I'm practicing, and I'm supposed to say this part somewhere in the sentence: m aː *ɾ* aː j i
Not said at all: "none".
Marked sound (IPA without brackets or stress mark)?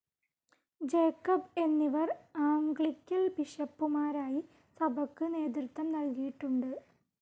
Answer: ɾ